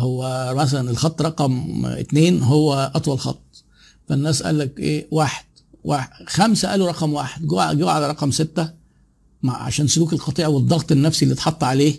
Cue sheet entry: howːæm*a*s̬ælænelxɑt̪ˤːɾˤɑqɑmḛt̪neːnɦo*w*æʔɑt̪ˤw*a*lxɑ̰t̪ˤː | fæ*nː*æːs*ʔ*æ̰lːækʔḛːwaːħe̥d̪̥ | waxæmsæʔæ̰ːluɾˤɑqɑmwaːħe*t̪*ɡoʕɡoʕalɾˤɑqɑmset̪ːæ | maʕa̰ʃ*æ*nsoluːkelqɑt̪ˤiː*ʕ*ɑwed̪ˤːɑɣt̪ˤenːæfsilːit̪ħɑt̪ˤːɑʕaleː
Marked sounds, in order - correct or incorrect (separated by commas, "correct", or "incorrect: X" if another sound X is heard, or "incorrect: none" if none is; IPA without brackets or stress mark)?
incorrect: æ, incorrect: wː, incorrect: ɑ, correct, correct, incorrect: d̪, incorrect: æː, correct